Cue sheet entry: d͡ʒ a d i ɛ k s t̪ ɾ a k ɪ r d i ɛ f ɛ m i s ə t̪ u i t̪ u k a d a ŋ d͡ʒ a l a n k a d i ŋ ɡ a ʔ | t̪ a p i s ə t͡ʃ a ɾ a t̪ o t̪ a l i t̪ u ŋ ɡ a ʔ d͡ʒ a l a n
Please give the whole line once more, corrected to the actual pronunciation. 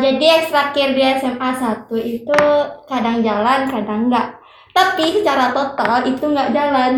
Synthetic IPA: d͡ʒ a d i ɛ k s t̪ ɾ a k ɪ r d i ɛ s ɛ m a s a t̪ u i t̪ u k a d a ŋ d͡ʒ a l a n k a d a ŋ ɡ a ʔ | t̪ a p i s ə t͡ʃ a ɾ a t̪ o t̪ a l i t̪ u ŋ ɡ a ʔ d͡ʒ a l a n